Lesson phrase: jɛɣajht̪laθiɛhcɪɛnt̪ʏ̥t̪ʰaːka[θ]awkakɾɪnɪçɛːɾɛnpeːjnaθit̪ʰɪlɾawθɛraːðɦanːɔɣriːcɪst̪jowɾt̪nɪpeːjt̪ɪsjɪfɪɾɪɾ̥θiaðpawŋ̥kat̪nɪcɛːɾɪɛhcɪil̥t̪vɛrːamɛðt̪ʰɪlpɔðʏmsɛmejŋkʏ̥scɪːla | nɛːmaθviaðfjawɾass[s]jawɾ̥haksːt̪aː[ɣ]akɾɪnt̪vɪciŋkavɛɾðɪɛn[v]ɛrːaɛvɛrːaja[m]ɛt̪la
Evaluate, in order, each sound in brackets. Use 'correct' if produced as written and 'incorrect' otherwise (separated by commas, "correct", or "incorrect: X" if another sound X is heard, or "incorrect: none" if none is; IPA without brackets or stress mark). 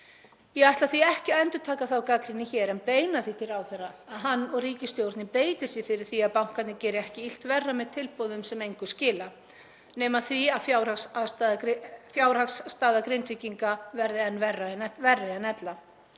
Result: correct, incorrect: f, incorrect: ð, correct, incorrect: n